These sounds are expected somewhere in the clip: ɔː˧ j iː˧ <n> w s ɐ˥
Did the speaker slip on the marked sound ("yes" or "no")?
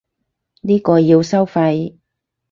yes